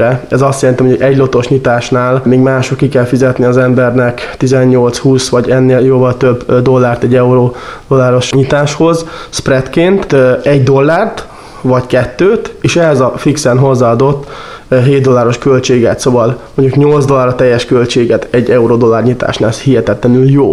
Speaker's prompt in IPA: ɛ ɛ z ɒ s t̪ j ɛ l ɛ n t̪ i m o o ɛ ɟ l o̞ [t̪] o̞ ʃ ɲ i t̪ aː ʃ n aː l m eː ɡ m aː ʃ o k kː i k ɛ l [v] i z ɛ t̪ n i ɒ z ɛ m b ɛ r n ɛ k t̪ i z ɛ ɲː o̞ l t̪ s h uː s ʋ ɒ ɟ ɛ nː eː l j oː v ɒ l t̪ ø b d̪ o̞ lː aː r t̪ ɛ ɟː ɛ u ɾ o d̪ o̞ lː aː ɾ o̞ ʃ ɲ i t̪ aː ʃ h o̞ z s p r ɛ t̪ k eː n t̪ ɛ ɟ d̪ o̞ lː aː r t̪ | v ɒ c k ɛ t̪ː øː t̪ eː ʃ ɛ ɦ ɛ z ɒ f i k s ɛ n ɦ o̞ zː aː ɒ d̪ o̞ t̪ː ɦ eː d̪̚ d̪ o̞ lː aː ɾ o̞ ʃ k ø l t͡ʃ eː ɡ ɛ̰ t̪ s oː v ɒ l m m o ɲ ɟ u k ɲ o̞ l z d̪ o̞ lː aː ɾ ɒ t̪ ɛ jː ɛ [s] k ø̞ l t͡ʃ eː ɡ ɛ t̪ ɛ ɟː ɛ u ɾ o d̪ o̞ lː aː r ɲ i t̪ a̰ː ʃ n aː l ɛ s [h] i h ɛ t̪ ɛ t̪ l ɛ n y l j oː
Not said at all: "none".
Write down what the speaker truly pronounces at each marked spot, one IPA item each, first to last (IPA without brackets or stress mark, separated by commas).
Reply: t̪, f, ʃ, h